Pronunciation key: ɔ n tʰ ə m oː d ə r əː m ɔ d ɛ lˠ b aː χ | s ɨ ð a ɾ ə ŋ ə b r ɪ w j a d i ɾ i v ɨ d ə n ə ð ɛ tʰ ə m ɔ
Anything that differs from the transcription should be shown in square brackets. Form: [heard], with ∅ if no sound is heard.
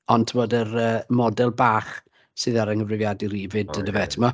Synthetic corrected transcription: ɔ n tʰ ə m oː d ə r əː m ɔ d ɛ lˠ b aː χ | s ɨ ð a ɾ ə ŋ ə [v] r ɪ [v] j a d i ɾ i v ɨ d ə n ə [v] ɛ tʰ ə m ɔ

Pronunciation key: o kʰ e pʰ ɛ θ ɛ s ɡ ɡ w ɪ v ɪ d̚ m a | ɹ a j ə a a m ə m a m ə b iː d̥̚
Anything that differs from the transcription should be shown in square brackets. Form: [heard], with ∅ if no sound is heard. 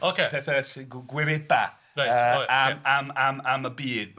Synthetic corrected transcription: o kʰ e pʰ ɛ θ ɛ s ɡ ɡ w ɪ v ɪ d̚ [b] a | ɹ a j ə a a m [a] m a m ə b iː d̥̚

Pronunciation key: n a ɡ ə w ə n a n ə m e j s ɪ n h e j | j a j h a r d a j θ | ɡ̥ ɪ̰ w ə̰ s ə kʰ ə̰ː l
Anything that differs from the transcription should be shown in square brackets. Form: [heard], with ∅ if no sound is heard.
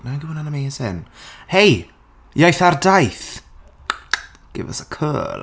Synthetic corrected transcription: n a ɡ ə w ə n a n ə m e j s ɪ n h e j | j a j [θ] a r d a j θ | ɡ̥ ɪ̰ [v] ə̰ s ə kʰ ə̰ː l

